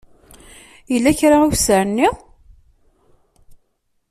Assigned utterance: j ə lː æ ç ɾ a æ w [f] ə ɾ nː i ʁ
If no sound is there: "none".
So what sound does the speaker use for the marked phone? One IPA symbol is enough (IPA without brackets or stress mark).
s